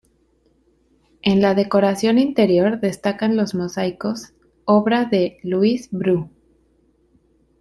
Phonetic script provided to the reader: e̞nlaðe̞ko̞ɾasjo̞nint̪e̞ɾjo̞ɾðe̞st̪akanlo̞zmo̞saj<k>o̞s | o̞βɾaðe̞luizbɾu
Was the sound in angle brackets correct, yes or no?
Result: yes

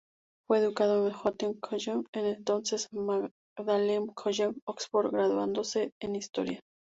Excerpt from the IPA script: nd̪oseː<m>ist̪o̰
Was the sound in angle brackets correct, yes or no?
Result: no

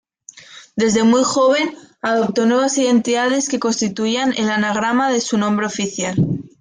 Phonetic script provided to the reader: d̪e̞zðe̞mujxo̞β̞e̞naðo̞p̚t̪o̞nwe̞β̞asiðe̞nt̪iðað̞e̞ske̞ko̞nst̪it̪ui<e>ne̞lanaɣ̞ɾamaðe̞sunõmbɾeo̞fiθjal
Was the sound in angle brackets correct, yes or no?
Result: no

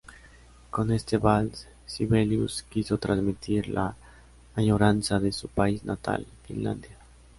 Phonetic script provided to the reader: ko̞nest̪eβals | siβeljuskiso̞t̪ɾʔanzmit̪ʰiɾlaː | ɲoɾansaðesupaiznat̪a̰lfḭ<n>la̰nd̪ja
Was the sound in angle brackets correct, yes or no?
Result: yes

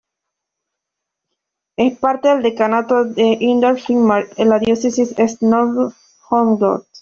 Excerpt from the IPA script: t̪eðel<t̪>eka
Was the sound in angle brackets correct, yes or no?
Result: no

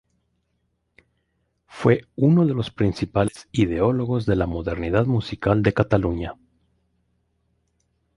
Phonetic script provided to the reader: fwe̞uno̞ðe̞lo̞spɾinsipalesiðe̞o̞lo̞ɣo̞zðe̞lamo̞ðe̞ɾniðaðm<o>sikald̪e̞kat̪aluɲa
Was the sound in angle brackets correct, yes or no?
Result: no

